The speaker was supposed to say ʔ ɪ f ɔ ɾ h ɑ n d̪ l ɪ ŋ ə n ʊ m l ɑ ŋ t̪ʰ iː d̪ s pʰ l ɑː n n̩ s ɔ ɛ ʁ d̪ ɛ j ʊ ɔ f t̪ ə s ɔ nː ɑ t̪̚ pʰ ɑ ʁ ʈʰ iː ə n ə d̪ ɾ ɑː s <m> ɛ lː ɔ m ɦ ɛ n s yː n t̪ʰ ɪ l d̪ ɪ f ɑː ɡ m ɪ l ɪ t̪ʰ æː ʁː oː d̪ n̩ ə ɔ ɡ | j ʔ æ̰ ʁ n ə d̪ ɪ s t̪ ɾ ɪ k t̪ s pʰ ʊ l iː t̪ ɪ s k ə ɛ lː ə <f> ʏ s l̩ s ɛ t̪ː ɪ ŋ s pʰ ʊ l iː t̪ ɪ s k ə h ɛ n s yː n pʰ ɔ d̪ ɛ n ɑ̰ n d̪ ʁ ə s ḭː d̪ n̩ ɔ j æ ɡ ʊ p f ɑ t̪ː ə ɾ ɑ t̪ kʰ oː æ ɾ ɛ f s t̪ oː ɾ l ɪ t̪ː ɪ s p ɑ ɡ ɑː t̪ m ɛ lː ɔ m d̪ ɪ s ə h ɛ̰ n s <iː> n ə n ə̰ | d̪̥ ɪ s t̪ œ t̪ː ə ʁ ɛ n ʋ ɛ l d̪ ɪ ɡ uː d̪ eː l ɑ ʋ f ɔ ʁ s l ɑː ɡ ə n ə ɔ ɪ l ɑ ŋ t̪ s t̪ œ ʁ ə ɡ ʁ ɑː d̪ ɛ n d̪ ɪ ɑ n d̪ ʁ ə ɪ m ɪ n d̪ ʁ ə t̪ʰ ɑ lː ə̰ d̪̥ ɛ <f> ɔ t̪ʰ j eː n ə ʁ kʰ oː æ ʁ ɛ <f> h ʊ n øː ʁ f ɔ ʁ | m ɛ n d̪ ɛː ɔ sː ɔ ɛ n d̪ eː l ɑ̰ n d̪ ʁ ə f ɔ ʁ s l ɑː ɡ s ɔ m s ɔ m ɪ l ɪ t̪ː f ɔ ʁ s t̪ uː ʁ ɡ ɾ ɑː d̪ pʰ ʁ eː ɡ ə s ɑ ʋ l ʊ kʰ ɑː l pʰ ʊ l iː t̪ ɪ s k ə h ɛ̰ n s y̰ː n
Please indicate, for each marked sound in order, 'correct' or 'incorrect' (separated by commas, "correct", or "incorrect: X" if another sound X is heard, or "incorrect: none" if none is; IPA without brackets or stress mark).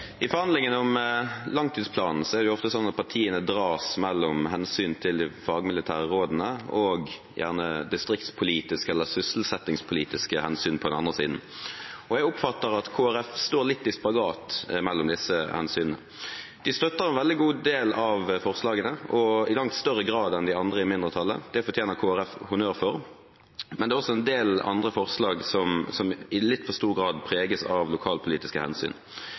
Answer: correct, incorrect: s, incorrect: yː, correct, correct